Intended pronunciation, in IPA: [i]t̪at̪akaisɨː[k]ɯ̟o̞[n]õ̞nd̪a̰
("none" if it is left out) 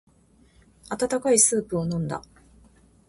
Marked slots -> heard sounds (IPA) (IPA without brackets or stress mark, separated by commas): a, p, n